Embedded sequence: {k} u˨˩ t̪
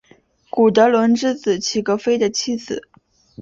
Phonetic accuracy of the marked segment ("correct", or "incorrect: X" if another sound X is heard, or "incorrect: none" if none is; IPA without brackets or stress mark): correct